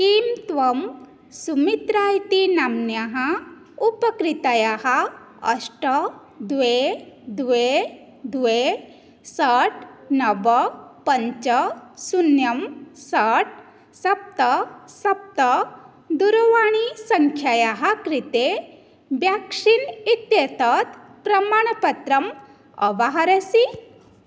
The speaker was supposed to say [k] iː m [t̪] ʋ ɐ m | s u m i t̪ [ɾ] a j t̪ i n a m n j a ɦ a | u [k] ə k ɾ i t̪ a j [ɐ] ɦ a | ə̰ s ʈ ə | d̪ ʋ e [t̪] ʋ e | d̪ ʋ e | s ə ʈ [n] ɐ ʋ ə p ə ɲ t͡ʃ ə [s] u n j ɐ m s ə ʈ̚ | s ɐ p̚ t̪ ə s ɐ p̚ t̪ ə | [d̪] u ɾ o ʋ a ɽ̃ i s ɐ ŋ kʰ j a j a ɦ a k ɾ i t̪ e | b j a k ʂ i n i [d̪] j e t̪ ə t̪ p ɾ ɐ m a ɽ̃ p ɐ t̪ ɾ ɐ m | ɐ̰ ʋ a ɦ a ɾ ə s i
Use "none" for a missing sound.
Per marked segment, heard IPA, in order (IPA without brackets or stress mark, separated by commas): k, t̪, ɾ, p, a, d̪, n, s, d̪, t̪